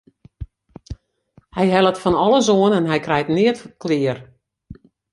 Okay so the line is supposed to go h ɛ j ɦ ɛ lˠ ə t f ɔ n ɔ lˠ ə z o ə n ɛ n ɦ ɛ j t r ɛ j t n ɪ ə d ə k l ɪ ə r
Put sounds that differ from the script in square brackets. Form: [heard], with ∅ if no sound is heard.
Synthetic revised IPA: h ɛ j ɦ ɛ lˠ ə t f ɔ n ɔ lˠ ə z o ə n ɛ n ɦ ɛ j [k] r ɛ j t n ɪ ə [t] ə k l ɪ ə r